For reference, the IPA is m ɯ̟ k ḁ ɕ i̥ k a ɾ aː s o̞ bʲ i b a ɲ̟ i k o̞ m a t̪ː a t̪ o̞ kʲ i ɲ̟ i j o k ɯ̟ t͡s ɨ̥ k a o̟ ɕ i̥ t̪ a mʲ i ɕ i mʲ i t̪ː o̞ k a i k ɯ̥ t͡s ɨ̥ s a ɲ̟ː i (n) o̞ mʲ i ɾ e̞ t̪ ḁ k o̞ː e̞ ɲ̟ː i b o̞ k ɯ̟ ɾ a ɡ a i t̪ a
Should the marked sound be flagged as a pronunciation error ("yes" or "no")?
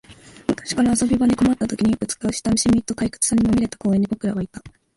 yes